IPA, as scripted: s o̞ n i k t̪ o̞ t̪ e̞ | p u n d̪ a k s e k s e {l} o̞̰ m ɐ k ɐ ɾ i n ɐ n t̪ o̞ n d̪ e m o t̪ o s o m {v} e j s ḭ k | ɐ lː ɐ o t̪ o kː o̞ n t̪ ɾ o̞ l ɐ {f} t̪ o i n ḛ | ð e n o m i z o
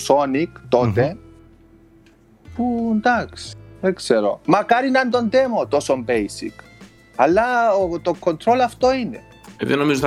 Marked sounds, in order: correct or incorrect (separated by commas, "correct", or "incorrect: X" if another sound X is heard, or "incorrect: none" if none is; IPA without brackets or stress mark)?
incorrect: ɾ, incorrect: b, correct